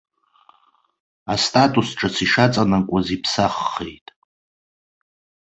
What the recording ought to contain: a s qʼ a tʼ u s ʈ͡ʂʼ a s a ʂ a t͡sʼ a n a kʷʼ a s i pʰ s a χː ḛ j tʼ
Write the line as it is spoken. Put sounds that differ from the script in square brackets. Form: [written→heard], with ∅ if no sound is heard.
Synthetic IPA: a s [qʼ→tʼ] a tʼ u s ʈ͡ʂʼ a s [a→i] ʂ a t͡sʼ a n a kʷʼ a [s→z] i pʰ s a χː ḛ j tʼ

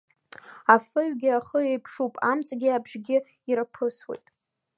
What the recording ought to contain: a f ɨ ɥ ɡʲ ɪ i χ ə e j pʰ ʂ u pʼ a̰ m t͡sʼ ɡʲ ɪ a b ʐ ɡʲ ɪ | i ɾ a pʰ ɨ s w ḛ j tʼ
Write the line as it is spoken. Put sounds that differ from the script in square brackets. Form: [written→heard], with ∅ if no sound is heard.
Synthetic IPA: a f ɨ ɥ ɡʲ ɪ [i→a] χ ə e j pʰ ʂ u pʼ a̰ m t͡sʼ ɡʲ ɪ a b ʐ ɡʲ ɪ | i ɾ a pʰ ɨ s w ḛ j tʼ

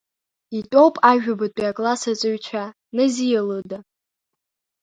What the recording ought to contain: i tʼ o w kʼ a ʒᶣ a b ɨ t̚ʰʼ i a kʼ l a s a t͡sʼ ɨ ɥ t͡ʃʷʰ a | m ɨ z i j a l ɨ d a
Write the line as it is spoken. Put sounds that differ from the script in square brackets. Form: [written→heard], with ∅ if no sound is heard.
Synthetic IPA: i tʼ o w [kʼ→pʼ] a ʒᶣ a b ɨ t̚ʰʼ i a kʼ l a s a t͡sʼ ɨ ɥ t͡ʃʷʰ a | [m→n] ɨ z i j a l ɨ d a

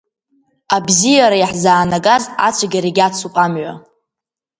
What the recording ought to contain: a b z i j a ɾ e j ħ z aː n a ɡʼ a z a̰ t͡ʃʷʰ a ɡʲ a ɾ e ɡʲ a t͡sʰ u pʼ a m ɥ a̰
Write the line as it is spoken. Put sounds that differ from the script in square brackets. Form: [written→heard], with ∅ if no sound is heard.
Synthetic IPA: a b z i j a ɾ [e→a] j ħ z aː n a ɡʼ a z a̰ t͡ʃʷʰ a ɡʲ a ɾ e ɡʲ a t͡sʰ u pʼ a m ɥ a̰

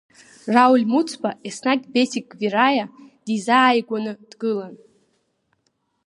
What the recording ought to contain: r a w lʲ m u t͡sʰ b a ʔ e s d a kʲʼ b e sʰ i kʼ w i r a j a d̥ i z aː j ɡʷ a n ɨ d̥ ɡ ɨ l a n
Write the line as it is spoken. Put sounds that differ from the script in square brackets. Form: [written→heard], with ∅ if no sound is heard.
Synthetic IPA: r a w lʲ m u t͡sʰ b a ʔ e s [d→n] a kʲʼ b e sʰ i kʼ [w→v] i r a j a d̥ i z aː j ɡʷ a n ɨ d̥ ɡ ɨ l a n

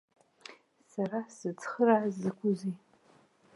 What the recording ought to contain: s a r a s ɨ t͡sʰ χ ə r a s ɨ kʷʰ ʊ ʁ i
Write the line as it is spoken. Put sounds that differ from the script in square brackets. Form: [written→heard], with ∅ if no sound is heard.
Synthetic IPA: s a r a s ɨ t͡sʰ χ ə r a [s→z] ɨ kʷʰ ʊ [ʁ→z] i

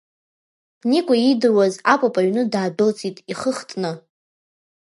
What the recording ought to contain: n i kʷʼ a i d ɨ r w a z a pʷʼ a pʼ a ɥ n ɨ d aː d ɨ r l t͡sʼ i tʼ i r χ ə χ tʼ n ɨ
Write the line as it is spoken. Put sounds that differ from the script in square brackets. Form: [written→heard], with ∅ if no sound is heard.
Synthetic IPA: n i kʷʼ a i d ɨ r w a z a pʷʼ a pʼ a ɥ n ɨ d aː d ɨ [r→∅] l t͡sʼ i tʼ i [r→∅] χ ə χ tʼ n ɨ

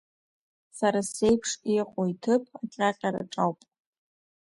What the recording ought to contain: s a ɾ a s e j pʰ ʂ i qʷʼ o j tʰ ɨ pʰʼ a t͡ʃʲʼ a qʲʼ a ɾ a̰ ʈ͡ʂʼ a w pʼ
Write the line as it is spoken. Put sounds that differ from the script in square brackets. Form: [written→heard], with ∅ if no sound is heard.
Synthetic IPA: s a ɾ a s e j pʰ ʂ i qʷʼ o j tʰ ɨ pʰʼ a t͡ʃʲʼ a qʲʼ a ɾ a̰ ʈ͡ʂʼ a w pʼ

